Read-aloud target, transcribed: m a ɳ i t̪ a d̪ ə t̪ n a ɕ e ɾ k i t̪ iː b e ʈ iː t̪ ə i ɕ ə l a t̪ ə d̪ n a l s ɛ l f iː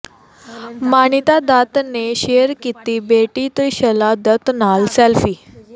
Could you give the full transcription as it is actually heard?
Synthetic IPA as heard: m a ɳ i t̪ a d̪ a t̪ n e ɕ e ɾ k i t̪ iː b e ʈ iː t̪ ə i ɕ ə l a d̪ ə t̪ n a l s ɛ l f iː